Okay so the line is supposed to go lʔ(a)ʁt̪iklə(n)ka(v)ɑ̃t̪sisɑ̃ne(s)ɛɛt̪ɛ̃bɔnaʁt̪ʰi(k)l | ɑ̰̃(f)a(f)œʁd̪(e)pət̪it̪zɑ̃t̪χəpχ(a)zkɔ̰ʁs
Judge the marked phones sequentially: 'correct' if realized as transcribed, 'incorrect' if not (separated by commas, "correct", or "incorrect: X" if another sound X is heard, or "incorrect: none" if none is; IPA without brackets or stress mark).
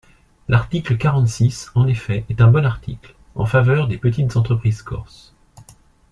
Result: correct, incorrect: none, incorrect: ʁ, incorrect: f, correct, correct, incorrect: v, correct, incorrect: i